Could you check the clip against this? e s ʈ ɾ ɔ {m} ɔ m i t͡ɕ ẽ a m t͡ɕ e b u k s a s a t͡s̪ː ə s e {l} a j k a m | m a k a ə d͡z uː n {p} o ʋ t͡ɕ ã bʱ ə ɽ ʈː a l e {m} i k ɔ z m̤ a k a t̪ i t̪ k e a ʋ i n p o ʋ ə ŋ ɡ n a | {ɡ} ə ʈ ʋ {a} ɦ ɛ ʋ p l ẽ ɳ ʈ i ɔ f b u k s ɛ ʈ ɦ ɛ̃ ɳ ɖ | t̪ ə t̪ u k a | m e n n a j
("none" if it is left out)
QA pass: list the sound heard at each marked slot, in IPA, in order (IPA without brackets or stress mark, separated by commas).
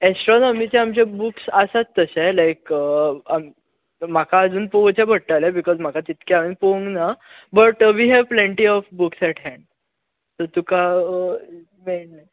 n, l, p, b, b, i